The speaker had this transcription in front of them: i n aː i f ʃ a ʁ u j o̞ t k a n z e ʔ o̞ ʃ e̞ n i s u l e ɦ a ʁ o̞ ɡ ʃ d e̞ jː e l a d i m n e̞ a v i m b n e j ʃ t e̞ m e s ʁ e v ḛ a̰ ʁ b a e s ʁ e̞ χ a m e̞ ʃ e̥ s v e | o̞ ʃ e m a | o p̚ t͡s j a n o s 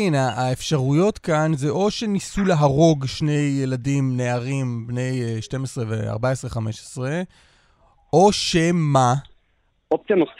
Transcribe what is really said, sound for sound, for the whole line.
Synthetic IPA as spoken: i n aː e f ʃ a ʁ u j o̞ t k a n z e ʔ o̞ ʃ e̞ n i s u l e ɦ a ʁ o̞ ɡ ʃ n e̞ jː e l a d i m n e̞ a ʁ i m b n e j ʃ t e̞ m e s ʁ e v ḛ a̰ ʁ b a e s ʁ e̞ χ a m e̞ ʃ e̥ s ʁ e | o̞ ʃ e m a | o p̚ t͡s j a n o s